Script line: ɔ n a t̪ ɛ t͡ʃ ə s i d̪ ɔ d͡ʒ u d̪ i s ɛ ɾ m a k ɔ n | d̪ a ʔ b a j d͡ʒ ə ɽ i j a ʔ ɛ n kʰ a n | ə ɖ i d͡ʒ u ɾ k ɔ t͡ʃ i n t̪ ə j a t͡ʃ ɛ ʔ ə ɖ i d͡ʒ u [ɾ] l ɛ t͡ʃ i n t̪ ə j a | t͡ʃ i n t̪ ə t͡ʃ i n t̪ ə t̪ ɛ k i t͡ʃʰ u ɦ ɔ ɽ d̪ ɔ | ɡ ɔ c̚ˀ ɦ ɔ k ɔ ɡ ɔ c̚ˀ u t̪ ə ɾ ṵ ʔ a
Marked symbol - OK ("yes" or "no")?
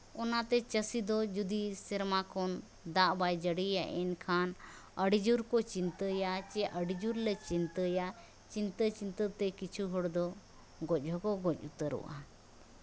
yes